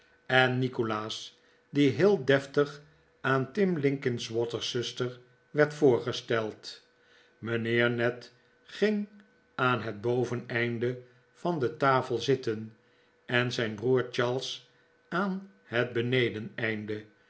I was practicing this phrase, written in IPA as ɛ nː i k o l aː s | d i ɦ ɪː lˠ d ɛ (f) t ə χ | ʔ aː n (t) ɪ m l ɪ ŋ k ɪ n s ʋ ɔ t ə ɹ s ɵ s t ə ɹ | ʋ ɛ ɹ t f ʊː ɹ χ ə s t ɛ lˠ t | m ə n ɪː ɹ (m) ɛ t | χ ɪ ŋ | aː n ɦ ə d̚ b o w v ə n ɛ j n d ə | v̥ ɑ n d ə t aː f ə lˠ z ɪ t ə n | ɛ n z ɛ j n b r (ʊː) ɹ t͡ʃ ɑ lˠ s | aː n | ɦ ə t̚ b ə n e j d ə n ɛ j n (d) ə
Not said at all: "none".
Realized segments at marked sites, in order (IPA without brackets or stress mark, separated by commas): f, t, n, uː, d